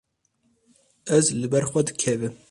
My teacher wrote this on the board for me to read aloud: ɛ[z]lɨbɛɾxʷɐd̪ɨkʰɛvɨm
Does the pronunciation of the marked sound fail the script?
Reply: no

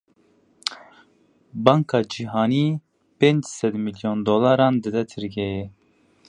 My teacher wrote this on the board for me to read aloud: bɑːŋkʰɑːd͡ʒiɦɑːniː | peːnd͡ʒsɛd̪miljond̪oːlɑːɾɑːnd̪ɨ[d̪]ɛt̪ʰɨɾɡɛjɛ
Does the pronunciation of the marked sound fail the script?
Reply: no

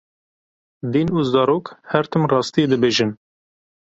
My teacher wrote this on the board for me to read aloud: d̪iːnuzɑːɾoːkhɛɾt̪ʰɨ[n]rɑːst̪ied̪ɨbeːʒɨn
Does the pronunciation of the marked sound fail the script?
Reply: yes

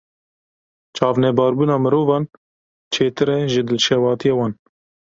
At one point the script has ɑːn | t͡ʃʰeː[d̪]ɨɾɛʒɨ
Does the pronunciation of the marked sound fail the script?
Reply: yes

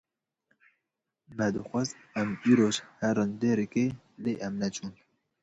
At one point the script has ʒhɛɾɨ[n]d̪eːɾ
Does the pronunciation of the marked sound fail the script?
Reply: no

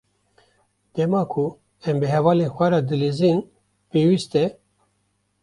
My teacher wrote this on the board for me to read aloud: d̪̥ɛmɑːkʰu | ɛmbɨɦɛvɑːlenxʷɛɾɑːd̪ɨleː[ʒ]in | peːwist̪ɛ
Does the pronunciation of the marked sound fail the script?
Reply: yes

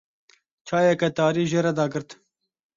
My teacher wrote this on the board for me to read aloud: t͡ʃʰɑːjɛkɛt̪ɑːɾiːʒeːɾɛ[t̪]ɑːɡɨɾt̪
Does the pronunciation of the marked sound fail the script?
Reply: yes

